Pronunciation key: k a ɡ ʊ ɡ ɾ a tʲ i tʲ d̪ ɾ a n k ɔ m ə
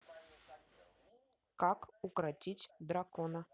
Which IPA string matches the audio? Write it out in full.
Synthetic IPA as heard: k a k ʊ k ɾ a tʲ i tʲ d̪ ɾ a k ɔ n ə